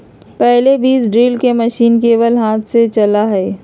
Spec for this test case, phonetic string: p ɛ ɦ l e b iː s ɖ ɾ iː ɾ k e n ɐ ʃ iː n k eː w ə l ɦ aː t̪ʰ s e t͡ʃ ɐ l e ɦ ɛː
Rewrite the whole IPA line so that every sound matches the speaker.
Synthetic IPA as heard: p ɛ ɦ l e b iː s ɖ ɾ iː l k e m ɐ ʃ iː n k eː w ə l ɦ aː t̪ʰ s e t͡ʃ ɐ l a ɦ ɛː